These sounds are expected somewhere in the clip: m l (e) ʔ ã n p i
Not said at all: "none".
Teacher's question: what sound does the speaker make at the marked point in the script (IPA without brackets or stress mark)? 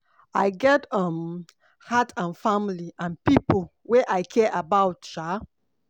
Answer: i